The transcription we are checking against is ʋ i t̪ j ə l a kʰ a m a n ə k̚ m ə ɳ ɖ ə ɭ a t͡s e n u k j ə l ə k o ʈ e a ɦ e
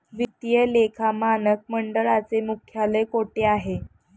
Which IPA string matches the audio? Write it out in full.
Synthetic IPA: ʋ i t̪ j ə l e kʰ a m a n ə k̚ m ə ɳ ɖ ə ɭ a t͡s e m u kʰ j a l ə k o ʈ e a ɦ e